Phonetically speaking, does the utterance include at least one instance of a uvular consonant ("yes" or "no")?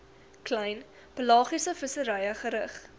yes